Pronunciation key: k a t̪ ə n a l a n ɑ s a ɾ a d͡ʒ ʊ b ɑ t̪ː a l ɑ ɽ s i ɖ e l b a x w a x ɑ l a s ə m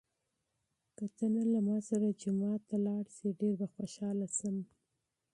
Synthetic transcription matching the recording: k a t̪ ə n a l a m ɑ s a ɾ a d͡ʒ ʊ m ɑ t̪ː a l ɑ ɽ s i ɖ e ɾ b a x w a ʃ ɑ l a s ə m